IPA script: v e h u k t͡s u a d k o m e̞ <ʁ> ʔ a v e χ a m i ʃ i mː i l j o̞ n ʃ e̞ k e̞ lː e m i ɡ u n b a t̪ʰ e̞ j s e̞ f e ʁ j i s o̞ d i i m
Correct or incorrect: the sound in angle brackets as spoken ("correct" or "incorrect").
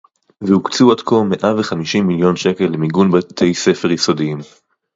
incorrect